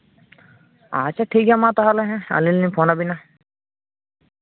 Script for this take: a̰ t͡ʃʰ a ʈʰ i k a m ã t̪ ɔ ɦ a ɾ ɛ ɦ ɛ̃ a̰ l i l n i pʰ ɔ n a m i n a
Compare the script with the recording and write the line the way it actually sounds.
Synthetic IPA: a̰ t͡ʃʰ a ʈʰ i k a m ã t̪ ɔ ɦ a l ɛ ɦ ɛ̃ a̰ l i l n i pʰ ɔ n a b i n a